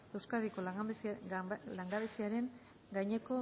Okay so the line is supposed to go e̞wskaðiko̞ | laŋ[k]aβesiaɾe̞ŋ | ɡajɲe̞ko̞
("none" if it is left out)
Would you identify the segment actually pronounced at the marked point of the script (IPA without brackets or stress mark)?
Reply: ɡ